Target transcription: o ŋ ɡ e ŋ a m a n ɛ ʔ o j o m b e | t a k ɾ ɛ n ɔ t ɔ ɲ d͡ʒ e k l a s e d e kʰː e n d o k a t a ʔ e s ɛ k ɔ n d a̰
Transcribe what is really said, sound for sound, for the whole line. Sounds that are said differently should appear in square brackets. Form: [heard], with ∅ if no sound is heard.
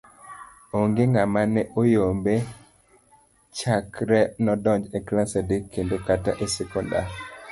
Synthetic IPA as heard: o ŋ ɡ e ŋ a m a n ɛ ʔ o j o m b e | [t͡ʃ] a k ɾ ɛ n ɔ [d] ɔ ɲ d͡ʒ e k l a s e d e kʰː e n d o k a t a ʔ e s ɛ k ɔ n d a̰